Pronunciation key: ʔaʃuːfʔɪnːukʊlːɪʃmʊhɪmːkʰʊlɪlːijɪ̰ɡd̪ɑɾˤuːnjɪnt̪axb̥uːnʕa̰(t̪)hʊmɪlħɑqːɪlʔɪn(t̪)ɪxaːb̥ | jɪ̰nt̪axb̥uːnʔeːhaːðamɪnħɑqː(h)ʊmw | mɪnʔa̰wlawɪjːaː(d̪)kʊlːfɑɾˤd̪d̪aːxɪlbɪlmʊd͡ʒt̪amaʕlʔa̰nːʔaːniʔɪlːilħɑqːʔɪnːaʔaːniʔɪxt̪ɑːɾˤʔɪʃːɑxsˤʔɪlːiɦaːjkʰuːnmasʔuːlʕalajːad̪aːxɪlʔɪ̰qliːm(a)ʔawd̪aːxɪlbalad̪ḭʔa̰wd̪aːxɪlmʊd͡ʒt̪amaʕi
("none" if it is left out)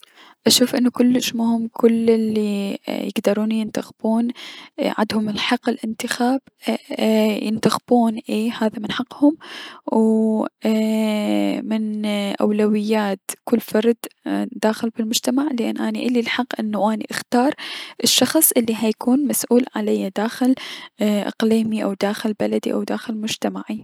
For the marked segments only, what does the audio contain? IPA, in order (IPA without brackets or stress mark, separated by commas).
d̪, t̪, h, t̪, i